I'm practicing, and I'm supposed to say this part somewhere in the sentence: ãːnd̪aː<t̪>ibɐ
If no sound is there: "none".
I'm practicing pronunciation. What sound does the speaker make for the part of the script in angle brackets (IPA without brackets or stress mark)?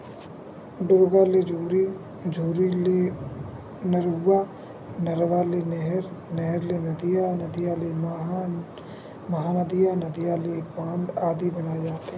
d̪